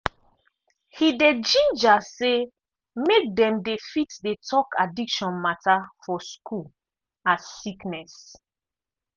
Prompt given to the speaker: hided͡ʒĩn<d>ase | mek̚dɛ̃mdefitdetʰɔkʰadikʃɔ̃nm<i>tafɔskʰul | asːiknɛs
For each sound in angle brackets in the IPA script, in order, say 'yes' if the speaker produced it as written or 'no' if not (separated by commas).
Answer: no, no